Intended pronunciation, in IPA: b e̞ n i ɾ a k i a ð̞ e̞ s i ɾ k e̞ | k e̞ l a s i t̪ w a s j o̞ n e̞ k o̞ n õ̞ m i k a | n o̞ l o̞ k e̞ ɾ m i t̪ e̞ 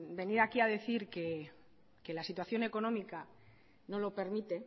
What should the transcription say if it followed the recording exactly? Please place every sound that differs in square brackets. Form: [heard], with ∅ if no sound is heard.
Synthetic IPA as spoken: b e̞ n i ɾ a k i a ð̞ e̞ [θ] i ɾ k e̞ | k e̞ l a s i t̪ w a [θ] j o̞ n e̞ k o̞ n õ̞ m i k a | n o̞ l o̞ [p] e̞ ɾ m i t̪ e̞